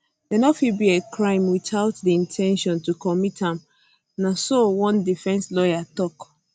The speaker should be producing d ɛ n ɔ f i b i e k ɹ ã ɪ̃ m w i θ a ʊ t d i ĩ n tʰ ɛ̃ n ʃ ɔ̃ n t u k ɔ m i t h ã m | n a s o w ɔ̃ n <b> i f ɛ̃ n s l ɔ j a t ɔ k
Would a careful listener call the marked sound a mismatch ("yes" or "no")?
yes